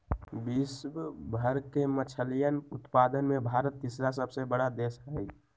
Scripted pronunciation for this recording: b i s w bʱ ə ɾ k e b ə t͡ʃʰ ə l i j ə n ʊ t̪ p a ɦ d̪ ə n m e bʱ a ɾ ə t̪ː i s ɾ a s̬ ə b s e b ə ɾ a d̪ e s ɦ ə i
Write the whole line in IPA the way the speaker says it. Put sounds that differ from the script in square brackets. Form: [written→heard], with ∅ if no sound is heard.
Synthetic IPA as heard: b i s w bʱ ə ɾ k e [b→m] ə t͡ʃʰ ə l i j ə n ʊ t̪ p a [ɦ→∅] d̪ ə n m e bʱ a ɾ ə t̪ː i s ɾ a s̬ ə b s e b ə [ɾ→ɽ] a d̪ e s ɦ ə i